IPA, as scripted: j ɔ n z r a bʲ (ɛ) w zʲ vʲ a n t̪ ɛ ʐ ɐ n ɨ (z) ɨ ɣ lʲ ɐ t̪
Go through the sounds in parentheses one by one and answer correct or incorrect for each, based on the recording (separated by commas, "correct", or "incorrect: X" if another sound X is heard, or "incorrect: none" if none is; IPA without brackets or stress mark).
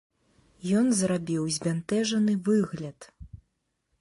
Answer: incorrect: i, incorrect: v